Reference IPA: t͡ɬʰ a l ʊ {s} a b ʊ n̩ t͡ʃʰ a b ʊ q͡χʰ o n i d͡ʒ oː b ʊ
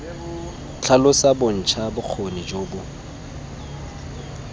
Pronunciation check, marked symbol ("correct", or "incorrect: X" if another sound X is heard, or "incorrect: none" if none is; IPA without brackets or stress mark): correct